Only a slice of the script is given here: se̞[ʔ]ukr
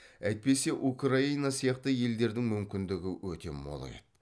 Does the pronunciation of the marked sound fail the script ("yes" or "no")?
no